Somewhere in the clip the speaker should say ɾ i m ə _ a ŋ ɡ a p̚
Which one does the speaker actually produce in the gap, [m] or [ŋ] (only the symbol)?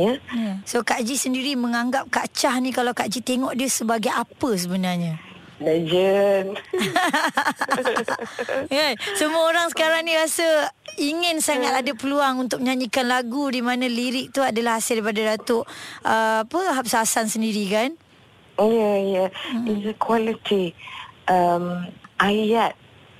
ŋ